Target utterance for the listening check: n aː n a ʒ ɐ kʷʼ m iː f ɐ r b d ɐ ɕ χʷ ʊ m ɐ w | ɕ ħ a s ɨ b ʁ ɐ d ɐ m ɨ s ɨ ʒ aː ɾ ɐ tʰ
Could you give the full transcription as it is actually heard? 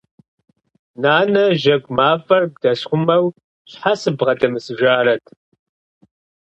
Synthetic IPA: n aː n ɐ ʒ ɐ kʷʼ m aː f ɐ r b d ɐ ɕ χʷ ʊ m ɐ w | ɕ ħ a s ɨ b ʁ ɐ d ɐ m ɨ s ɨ ʒ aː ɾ ɐ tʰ

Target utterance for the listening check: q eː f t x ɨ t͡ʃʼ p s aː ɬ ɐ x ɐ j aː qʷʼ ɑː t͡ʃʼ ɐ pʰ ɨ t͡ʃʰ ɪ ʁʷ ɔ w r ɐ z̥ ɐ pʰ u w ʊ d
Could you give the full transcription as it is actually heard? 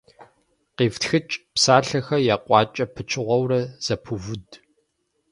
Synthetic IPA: q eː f t x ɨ t͡ʃʼ p s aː ɬ ɐ x ɐ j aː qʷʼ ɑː t͡ʃʼ ɐ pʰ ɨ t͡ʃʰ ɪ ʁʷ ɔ w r ɐ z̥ ɐ pʰ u v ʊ d

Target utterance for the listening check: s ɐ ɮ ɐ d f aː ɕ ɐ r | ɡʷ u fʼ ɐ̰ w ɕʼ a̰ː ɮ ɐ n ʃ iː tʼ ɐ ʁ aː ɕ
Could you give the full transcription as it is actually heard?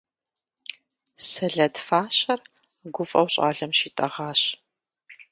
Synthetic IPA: s ɐ ɮ ɐ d f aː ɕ ɐ r | ɡʷ ʊ fʼ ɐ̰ w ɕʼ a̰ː ɮ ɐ m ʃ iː tʼ ɐ ʁ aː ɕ

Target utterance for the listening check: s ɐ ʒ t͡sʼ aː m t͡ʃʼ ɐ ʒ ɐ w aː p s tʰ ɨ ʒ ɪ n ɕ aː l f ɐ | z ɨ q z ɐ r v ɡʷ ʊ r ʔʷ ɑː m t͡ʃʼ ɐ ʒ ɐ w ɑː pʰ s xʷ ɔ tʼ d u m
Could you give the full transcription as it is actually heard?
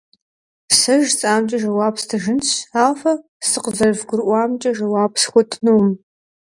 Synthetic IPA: s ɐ ʒ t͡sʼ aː m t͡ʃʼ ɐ ʒ ɐ w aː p s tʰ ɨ ʒ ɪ n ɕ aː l f ɐ | s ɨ q z ɐ r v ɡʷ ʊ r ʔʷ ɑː m t͡ʃʼ ɐ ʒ ɐ w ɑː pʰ s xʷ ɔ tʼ n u m

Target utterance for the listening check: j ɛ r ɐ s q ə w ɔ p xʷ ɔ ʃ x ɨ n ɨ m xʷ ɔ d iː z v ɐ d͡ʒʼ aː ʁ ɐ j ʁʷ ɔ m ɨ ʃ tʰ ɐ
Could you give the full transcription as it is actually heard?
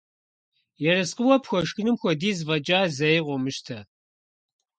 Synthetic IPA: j ɛ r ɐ s q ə w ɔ p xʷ ɔ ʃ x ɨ n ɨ m xʷ ɔ d iː z v ɐ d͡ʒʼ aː z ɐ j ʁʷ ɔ m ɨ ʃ tʰ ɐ

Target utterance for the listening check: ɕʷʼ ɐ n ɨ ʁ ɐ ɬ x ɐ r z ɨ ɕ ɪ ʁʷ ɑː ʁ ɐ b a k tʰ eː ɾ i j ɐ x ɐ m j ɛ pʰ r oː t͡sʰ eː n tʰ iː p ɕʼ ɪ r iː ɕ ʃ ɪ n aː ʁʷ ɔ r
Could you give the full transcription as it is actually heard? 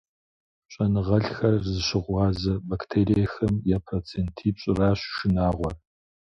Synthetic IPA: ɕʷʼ ɐ n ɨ ʁ ɐ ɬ x ɐ r z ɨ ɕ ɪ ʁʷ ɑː z ɐ b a k tʰ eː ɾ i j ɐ x ɐ m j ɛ pʰ r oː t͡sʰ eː n tʰ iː p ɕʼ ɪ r aː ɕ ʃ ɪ n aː ʁʷ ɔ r

